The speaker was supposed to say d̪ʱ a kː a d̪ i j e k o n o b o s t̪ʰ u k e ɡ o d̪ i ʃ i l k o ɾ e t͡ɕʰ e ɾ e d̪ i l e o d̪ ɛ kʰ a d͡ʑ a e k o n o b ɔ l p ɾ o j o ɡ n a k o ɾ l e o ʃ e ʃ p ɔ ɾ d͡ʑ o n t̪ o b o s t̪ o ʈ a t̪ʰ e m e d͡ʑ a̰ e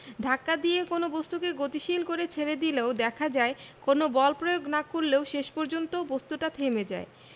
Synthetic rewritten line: d̪ʱ a kː a d̪ i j e k o n o b o s t̪ u k e ɡ o t̪ i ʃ i l k o ɾ e t͡ɕʰ e ɾ e d̪ i l e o d̪ ɛ kʰ a d͡ʑ a e k o n o b ɔ l p ɾ o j o ɡ n a k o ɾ l e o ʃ e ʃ p ɔ ɾ d͡ʑ o n t̪ o b o s t̪ u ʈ a t̪ʰ e m e d͡ʑ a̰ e